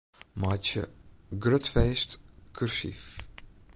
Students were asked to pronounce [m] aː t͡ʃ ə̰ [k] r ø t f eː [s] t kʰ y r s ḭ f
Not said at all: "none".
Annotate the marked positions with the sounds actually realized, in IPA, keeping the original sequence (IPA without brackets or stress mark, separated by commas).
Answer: m, ɡ, s